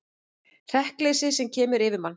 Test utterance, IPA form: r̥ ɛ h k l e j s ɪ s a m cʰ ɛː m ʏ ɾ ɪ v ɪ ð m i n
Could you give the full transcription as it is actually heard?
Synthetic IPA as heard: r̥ ɛ h k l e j s ɪ s ɛ m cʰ ɛː m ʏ ɾ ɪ v ɪ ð m a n